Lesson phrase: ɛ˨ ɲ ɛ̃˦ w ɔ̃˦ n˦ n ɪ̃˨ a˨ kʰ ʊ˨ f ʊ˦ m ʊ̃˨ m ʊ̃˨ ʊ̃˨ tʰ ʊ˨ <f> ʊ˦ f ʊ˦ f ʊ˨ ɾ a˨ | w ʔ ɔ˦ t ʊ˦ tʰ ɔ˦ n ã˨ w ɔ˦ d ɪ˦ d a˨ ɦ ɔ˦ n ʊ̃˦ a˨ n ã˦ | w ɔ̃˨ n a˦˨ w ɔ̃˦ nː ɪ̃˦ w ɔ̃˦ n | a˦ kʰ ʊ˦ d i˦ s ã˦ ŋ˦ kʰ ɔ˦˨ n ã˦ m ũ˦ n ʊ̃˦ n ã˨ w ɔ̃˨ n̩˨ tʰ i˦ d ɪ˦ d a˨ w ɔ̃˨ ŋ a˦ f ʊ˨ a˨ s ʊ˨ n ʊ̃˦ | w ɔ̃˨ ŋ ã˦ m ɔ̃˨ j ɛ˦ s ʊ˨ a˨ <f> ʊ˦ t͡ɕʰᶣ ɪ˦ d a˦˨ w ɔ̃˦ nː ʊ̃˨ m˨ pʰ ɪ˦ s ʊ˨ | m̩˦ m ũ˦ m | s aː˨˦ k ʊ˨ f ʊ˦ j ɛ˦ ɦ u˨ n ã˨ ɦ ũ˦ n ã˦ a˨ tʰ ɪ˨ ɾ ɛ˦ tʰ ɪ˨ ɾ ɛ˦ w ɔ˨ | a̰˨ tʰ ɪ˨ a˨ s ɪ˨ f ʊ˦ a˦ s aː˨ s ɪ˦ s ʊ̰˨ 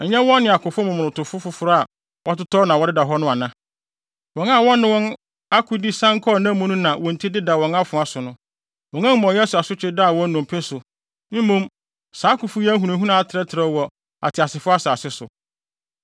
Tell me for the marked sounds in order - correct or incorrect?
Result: correct, incorrect: s

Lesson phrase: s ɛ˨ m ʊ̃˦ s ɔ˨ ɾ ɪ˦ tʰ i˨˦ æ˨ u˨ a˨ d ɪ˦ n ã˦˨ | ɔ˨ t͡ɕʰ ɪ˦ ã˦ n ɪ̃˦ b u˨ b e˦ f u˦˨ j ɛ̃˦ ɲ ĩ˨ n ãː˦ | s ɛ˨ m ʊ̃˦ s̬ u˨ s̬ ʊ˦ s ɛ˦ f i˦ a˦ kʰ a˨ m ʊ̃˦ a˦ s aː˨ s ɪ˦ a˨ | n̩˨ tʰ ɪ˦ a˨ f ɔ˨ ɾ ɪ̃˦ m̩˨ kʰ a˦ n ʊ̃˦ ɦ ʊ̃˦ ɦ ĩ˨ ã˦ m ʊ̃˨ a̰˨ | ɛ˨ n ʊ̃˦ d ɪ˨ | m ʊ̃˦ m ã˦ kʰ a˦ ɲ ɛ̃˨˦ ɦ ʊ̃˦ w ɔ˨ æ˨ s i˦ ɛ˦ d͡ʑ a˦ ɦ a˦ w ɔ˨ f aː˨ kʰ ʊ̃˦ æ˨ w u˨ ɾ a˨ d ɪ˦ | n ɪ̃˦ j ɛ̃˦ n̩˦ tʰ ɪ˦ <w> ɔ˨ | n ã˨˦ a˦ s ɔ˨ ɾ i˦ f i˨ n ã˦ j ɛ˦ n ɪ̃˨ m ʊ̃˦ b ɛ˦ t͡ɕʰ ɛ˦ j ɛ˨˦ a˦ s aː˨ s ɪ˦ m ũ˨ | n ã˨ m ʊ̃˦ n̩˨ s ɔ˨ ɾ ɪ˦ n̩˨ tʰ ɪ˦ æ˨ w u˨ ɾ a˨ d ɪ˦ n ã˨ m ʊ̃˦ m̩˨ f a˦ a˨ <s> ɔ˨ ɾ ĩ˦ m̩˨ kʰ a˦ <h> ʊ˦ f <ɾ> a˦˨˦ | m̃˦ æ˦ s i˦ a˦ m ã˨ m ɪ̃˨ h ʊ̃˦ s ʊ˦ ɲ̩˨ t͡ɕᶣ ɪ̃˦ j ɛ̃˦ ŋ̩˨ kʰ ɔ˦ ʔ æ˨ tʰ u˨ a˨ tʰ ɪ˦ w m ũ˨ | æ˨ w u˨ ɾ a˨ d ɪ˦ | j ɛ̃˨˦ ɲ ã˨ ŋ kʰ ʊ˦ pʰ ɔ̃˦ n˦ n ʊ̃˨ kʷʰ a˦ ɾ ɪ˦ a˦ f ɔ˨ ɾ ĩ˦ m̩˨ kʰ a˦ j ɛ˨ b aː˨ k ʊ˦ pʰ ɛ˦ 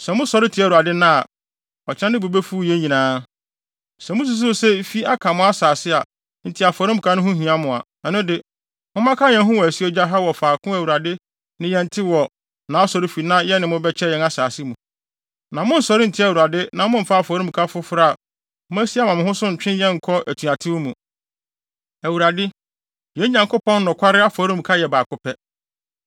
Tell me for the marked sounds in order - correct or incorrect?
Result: correct, incorrect: f, incorrect: f, correct

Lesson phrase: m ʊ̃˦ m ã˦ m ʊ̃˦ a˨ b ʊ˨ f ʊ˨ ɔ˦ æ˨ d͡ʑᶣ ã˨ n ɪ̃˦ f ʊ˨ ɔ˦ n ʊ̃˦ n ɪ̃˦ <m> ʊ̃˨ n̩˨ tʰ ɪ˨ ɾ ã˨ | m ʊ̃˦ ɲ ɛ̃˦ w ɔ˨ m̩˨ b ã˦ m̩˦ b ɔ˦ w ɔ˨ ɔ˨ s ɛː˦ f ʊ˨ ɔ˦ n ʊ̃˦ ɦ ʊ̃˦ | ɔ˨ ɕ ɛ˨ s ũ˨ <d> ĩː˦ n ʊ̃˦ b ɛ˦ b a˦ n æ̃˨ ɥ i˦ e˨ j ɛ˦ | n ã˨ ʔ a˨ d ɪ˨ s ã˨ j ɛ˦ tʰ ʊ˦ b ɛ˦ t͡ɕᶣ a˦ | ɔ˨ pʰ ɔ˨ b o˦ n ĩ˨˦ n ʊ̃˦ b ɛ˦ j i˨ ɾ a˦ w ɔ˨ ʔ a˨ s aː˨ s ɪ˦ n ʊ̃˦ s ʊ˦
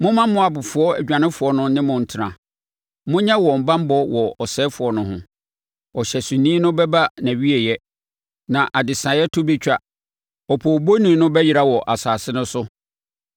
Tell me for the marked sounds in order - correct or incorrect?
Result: correct, incorrect: n

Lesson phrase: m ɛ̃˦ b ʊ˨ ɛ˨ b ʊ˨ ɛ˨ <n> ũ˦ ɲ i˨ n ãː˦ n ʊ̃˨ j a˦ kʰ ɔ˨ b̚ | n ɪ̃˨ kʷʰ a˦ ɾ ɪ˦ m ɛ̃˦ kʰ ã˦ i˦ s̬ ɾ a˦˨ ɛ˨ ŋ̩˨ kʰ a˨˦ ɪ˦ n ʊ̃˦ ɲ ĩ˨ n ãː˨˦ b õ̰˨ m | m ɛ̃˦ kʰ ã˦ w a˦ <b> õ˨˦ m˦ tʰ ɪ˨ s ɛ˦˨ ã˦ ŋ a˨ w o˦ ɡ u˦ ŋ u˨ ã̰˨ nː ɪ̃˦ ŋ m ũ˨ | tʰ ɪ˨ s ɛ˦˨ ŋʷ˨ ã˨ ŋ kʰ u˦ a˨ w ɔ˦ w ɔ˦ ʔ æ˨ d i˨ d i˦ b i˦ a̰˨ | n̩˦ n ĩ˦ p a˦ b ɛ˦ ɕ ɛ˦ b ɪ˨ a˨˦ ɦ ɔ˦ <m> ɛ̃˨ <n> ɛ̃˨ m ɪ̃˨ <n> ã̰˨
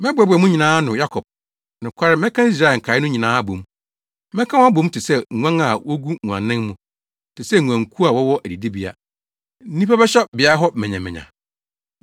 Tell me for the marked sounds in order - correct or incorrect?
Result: incorrect: m, correct, correct, incorrect: ɲ, incorrect: ɲ

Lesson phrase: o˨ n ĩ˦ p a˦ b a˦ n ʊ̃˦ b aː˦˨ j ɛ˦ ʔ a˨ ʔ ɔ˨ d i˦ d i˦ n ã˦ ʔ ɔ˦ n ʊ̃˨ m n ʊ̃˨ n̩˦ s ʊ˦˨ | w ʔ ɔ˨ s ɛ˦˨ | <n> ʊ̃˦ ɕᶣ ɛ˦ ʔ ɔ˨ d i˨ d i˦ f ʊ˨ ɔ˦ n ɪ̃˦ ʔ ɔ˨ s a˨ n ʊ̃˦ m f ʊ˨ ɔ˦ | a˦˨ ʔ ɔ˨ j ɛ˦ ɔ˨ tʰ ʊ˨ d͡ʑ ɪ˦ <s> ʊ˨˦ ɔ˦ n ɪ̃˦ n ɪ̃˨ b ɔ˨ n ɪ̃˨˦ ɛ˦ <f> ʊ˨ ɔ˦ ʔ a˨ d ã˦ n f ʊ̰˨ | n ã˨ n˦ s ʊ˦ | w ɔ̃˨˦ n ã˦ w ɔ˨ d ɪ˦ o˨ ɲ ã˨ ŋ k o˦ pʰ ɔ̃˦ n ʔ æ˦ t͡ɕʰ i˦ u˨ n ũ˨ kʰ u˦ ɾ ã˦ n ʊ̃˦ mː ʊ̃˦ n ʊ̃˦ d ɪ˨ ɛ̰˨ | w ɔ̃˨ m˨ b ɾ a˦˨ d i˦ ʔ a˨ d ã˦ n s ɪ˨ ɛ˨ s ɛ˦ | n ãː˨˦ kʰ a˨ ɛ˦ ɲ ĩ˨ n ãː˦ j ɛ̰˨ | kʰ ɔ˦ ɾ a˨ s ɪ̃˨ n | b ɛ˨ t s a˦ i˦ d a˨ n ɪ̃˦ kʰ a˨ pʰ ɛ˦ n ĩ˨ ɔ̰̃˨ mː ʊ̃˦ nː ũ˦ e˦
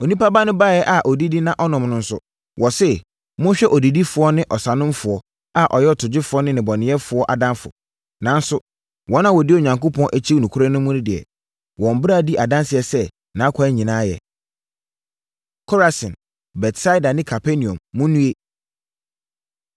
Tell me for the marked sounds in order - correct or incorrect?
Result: incorrect: m, incorrect: f, correct

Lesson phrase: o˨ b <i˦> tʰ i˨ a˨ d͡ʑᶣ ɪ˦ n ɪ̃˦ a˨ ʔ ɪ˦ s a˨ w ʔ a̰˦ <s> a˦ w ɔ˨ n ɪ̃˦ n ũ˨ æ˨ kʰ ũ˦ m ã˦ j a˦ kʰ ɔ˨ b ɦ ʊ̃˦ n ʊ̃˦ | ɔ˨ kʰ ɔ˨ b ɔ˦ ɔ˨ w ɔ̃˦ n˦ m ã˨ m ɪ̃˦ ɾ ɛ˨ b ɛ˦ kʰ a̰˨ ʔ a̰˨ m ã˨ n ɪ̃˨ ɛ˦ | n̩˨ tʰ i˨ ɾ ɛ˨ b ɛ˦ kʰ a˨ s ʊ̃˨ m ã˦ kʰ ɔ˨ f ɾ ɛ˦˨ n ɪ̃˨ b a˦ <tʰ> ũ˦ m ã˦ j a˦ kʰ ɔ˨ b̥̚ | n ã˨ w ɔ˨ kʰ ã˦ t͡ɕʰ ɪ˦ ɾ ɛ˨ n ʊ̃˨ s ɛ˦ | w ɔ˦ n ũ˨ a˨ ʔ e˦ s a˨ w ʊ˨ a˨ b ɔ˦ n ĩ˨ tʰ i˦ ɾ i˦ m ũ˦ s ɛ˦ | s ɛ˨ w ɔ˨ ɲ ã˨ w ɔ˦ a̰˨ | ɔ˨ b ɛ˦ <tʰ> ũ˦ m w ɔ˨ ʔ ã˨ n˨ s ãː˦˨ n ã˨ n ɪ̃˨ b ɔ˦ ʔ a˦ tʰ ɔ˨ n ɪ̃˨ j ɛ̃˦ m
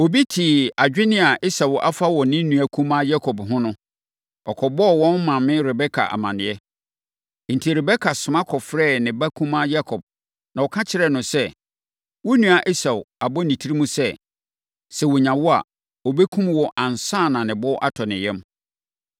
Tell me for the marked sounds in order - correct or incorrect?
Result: correct, incorrect: f, incorrect: kʰ, incorrect: kʰ

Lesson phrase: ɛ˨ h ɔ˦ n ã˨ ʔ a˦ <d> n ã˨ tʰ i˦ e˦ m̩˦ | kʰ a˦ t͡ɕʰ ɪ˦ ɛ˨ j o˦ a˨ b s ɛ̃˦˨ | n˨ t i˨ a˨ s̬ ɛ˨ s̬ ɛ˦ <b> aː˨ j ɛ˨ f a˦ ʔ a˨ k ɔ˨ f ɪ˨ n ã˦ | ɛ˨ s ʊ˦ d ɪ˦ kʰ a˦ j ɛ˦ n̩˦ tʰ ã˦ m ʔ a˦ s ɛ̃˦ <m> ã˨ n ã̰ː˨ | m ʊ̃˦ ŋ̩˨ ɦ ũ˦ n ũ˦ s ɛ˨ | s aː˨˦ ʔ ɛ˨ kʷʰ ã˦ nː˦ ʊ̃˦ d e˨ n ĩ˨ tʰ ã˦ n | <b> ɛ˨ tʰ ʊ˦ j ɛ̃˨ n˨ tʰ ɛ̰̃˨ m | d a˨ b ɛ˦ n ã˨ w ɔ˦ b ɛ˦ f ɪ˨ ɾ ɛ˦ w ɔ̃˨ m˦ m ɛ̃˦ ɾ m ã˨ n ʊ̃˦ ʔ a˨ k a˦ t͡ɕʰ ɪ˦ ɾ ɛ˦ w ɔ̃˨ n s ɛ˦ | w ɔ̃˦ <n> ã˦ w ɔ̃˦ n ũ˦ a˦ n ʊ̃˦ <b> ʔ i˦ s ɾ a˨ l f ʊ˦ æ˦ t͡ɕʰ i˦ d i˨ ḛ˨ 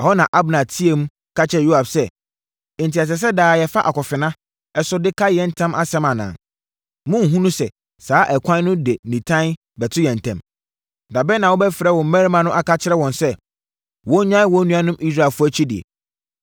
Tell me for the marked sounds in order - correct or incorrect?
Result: incorrect: b, incorrect: d, correct, correct, incorrect: ɲ, incorrect: m

